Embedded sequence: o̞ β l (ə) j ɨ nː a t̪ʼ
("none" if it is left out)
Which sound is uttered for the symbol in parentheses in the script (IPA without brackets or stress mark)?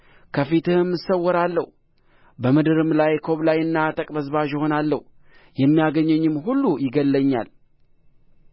a